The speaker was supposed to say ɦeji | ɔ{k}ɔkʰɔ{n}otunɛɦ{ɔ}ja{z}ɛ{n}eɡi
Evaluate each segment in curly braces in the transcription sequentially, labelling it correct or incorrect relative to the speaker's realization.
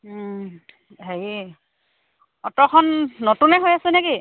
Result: incorrect, incorrect, incorrect, incorrect, correct

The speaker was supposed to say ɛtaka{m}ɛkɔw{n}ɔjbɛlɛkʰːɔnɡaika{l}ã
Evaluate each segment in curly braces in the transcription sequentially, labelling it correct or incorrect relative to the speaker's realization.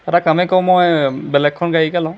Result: correct, incorrect, correct

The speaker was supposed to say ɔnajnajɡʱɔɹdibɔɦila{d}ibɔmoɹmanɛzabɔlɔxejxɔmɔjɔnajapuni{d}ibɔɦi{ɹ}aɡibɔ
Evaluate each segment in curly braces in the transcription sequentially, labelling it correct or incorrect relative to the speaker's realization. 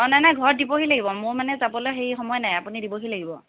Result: incorrect, correct, incorrect

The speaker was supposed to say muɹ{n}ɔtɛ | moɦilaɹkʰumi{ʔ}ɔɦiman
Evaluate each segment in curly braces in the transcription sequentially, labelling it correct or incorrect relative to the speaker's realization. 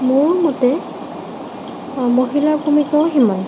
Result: incorrect, incorrect

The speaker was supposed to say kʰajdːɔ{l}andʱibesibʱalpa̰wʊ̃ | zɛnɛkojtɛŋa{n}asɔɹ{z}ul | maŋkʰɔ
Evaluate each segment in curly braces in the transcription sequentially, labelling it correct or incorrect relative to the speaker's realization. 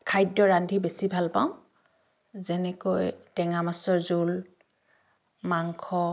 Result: incorrect, incorrect, correct

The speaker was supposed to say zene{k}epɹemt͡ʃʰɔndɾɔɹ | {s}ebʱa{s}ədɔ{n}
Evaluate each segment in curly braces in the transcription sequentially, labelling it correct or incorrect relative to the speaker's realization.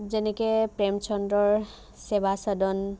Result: correct, correct, correct, correct

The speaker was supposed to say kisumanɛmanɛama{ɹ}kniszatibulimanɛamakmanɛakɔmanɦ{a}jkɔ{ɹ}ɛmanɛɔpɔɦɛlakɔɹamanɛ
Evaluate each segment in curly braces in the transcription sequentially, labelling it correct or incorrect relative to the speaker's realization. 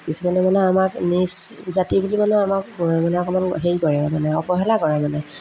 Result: incorrect, incorrect, correct

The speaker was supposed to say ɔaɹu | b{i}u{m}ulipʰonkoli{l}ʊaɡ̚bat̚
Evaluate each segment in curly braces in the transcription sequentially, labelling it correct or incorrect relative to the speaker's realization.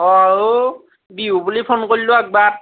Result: correct, incorrect, correct

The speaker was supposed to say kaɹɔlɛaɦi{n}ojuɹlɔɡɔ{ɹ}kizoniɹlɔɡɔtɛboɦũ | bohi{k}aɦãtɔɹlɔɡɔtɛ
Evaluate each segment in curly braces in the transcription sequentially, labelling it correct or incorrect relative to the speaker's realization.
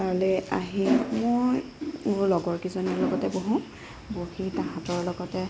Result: incorrect, correct, incorrect

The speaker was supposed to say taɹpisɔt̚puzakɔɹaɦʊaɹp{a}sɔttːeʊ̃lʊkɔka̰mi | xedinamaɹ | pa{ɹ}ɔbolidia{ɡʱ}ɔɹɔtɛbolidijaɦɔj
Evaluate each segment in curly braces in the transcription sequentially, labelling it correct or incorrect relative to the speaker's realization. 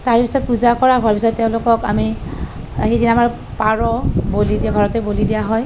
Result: incorrect, correct, correct

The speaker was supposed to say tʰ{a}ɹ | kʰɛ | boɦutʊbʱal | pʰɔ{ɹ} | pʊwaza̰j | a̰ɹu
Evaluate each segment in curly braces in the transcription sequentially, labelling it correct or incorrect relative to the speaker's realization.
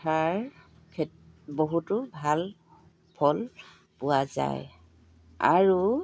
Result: correct, incorrect

